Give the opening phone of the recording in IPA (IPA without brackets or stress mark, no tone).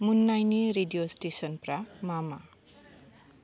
m